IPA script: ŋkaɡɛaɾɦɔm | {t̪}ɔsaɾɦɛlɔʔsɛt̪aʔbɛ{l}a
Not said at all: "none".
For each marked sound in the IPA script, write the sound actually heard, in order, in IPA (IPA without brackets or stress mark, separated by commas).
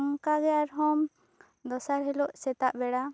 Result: d̪, ɽ